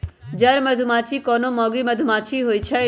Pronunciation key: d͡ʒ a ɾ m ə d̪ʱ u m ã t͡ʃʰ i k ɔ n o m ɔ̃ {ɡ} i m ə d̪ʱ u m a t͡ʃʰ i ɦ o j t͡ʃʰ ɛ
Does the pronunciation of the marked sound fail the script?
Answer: no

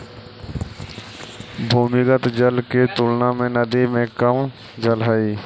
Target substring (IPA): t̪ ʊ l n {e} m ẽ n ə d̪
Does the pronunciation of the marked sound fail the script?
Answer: yes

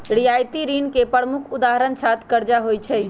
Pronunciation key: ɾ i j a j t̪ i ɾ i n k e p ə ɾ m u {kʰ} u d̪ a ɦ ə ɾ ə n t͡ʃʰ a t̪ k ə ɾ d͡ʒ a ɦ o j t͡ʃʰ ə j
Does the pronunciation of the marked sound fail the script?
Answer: no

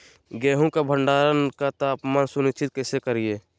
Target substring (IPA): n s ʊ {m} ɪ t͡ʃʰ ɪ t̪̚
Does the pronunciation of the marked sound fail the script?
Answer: yes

